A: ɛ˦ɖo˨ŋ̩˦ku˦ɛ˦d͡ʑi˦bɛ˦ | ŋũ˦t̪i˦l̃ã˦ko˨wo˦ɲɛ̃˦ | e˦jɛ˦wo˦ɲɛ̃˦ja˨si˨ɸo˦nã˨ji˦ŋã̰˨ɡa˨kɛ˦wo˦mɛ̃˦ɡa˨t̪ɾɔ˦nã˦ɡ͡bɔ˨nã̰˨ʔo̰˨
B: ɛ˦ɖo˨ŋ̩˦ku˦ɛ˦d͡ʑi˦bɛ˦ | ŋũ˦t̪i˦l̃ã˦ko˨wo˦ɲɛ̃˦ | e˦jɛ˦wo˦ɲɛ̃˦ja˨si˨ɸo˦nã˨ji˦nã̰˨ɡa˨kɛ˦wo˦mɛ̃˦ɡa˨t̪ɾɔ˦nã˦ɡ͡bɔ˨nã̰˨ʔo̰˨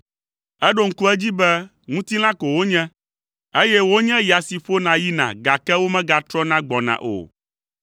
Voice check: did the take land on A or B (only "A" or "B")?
B